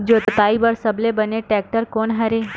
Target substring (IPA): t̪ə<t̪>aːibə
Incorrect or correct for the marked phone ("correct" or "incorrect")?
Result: correct